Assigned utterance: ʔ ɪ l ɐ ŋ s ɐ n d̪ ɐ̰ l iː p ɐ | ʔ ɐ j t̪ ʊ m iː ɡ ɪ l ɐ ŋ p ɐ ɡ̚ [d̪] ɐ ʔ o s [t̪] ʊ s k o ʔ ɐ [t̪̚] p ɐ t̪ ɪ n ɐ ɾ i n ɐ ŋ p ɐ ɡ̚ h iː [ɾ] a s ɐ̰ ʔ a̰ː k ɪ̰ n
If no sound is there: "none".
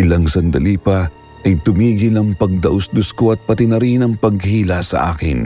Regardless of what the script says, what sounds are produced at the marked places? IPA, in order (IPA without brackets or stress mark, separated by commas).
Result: d̪, d̪, t̪̚, l